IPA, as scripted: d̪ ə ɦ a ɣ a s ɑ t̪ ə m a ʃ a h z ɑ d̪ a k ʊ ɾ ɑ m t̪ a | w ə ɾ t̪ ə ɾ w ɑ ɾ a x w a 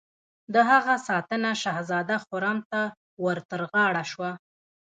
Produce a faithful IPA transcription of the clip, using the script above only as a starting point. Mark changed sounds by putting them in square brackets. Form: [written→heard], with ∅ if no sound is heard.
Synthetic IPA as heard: d̪ ə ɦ a ɣ a s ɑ t̪ ə [m→n] a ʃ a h z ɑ d̪ a [k→x] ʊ ɾ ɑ m t̪ a | w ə ɾ t̪ ə ɾ [w→ɣ] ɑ [ɾ→ɽ] a [x→ʃ] w a